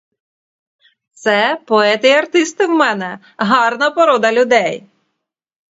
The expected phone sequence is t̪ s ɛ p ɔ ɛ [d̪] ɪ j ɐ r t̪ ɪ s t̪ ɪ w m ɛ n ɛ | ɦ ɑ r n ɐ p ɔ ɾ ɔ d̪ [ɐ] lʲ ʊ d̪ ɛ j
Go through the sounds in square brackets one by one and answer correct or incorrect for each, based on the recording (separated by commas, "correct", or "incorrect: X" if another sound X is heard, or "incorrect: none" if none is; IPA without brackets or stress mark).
incorrect: t̪, correct